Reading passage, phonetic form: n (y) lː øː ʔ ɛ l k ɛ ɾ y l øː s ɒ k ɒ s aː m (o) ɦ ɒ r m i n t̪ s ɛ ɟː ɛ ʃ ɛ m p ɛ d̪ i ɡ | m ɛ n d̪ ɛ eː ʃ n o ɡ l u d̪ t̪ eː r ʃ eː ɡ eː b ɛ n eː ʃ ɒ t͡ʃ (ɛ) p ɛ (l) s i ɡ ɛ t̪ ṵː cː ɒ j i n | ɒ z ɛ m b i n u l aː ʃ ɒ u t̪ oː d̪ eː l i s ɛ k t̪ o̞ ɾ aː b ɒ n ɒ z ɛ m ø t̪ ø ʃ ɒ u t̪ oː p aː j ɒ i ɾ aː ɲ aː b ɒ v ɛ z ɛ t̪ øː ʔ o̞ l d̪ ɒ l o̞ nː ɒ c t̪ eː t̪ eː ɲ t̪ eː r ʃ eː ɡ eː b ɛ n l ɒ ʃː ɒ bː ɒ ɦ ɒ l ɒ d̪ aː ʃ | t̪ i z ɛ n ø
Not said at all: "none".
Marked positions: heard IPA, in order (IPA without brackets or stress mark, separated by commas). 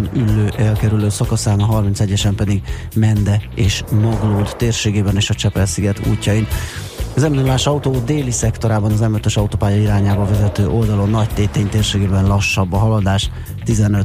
y, ɒ, ɛ, l